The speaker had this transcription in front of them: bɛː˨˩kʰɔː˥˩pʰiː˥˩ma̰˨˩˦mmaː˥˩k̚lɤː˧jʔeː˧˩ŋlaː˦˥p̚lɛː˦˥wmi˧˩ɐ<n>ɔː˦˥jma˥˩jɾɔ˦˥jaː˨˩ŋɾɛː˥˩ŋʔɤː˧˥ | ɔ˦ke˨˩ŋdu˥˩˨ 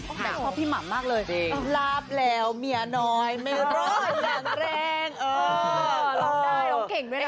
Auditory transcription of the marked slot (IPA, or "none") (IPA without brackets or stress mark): n